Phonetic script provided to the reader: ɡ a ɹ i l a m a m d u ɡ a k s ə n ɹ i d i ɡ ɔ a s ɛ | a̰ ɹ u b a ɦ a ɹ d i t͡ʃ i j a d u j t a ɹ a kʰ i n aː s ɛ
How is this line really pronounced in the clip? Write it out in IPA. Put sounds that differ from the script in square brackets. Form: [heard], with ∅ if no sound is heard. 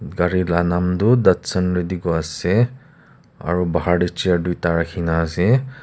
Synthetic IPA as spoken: ɡ a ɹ i l a [n] a m d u [d] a [t] s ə n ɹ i d i ɡ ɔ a s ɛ | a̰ ɹ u b a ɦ a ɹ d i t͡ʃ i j a d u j t a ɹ a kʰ i n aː s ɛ

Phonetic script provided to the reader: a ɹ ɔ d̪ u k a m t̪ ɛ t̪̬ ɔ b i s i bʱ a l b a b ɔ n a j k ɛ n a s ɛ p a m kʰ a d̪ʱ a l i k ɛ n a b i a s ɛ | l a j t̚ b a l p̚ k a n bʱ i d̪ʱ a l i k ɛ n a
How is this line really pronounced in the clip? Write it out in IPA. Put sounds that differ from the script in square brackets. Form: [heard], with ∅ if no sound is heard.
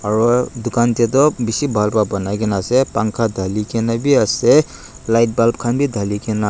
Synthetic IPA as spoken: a ɹ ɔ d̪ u k a [n] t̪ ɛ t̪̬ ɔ b i s i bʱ a l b a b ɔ n a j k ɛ n a s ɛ p a [ŋ] kʰ a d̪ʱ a l i k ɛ n a b i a s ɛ | l a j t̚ b a l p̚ [kʰ] a n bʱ i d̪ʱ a l i k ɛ n a

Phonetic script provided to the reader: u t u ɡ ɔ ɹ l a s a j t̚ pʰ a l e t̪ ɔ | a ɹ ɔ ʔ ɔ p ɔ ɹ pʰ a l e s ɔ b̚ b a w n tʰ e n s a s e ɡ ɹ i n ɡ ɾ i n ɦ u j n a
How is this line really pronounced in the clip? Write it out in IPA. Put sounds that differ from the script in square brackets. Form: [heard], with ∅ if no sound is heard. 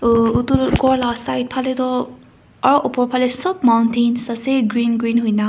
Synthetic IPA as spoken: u t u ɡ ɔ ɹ l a s a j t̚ pʰ a l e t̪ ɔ | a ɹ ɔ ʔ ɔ p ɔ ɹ pʰ a l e s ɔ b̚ [m] a w n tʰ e n s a s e ɡ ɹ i n ɡ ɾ i n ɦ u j n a

